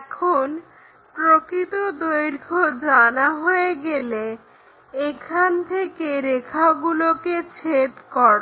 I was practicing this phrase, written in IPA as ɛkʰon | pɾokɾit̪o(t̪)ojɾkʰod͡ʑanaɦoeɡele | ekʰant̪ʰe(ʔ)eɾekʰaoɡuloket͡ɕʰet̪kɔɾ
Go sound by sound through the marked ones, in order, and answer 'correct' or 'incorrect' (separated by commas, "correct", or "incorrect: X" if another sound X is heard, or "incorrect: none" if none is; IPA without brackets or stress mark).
incorrect: d̪, incorrect: k